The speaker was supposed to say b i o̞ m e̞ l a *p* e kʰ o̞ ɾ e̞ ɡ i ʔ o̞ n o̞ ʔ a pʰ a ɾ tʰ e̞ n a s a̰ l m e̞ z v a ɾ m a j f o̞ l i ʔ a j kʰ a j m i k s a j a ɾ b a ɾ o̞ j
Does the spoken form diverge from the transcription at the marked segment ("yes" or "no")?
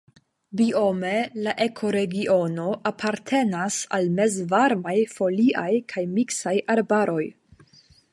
yes